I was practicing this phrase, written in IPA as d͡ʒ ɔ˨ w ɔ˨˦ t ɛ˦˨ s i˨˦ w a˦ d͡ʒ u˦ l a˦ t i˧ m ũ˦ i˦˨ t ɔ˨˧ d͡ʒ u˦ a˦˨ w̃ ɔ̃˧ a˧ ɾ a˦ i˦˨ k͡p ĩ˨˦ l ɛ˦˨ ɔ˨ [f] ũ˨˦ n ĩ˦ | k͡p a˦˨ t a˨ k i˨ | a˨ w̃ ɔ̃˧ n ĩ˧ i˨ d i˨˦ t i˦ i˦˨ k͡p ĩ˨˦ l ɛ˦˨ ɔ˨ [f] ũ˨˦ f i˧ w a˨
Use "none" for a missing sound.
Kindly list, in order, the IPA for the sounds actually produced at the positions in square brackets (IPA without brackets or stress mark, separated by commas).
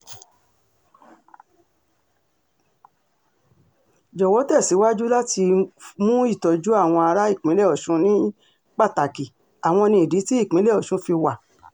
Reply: ʃ, ʃ